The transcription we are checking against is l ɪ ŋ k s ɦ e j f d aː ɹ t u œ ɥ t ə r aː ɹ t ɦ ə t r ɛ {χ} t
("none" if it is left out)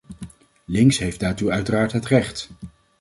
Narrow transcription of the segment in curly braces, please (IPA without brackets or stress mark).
χ